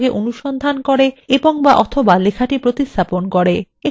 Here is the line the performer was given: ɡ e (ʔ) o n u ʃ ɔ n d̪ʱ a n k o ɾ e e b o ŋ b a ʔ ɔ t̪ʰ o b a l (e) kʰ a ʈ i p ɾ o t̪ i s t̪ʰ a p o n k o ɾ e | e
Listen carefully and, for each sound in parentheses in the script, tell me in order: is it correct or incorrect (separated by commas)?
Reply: correct, correct